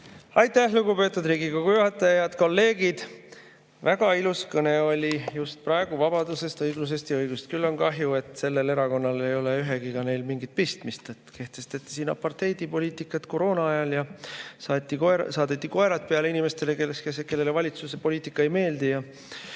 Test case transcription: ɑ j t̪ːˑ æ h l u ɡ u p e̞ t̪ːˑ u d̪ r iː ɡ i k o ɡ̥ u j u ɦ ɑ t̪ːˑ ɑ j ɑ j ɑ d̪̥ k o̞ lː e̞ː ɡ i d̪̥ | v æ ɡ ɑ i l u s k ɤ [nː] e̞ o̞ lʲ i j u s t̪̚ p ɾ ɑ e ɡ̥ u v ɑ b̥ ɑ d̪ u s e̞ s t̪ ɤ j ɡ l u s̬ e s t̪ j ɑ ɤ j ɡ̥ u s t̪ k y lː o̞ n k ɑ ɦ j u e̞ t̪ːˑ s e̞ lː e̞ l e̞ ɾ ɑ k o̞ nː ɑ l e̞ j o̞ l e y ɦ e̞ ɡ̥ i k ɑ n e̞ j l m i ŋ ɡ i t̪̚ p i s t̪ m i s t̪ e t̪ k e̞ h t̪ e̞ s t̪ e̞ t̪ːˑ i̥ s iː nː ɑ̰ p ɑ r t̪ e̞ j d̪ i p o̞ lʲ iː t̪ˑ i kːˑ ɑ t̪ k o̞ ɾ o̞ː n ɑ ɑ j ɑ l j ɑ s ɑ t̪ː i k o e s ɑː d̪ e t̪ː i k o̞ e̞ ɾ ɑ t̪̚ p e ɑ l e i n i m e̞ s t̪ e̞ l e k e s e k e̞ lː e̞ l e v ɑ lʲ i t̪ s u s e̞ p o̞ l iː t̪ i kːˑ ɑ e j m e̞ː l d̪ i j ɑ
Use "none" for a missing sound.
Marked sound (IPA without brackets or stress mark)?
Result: n